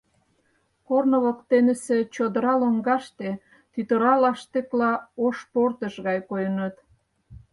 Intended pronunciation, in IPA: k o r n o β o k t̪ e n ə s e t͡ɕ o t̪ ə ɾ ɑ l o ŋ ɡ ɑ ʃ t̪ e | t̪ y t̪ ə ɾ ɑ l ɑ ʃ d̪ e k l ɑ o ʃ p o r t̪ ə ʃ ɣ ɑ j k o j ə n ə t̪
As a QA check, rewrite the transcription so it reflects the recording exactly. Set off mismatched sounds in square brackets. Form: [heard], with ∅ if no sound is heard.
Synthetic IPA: k o r n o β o k t̪ e n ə s e t͡ɕ o [d̪] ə ɾ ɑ l o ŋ ɡ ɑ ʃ t̪ e | t̪ y t̪ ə ɾ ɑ l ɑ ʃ [t̪] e k l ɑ o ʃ p o r t̪ ə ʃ ɣ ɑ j k o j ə n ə t̪